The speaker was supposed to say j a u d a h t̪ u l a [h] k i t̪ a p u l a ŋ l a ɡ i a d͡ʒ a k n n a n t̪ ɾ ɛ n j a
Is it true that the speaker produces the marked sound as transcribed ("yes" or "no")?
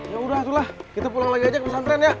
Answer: yes